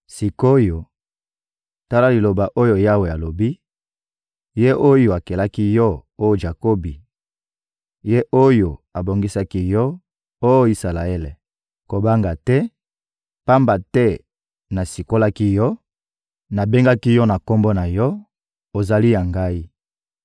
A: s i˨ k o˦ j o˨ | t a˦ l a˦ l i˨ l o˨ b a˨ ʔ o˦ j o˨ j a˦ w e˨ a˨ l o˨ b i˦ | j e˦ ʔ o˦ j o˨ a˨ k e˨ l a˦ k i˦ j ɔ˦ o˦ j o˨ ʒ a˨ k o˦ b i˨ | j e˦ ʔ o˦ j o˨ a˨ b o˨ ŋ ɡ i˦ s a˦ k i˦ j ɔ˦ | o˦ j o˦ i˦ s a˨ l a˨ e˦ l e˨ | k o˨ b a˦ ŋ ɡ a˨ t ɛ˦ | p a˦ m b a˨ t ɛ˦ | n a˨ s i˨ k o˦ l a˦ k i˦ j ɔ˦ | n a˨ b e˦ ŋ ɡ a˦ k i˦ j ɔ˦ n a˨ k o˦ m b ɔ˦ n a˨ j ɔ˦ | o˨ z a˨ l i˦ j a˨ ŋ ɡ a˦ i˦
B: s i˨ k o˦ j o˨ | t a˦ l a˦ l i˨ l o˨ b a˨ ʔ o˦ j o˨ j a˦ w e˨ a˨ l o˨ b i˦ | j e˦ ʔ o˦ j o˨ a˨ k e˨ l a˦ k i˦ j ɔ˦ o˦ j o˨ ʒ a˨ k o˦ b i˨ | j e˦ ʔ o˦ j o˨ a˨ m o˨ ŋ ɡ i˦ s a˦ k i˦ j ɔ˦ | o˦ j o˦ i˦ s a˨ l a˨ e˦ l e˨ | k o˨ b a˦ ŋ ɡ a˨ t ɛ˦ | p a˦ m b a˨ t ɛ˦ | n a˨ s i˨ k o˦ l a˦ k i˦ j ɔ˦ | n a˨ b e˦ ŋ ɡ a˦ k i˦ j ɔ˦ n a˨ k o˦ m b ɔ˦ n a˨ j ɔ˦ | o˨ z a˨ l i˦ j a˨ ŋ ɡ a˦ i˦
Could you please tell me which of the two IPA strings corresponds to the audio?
A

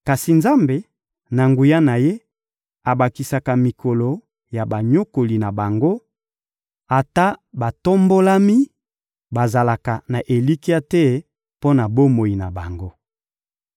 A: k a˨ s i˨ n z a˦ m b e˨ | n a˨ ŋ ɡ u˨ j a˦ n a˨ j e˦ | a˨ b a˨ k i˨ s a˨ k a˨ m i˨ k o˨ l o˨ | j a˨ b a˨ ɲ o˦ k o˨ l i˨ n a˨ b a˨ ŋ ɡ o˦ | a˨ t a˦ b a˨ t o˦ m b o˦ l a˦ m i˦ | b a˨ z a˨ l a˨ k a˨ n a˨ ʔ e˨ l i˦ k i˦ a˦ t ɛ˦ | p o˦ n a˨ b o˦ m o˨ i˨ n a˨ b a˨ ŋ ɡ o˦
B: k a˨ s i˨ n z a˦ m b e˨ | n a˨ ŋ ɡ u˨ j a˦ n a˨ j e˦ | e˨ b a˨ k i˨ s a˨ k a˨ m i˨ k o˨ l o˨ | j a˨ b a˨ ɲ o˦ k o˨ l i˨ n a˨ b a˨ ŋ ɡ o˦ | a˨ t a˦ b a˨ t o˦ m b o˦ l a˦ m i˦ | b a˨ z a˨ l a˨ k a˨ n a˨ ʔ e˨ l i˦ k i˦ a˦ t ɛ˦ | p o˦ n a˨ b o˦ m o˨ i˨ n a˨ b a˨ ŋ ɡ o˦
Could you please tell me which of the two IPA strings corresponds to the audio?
A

